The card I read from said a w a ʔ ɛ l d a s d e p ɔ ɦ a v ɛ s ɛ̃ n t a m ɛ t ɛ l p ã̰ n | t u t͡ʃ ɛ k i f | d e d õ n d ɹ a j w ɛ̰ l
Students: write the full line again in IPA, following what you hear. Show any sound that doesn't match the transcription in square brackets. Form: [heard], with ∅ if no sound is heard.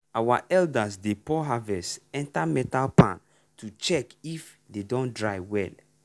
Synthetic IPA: a w a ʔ ɛ l d a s d e p ɔ ɦ a v ɛ s ɛ̃ n t a m ɛ t [a] l p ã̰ n | t u t͡ʃ ɛ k i f | d e d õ n d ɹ a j w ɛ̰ l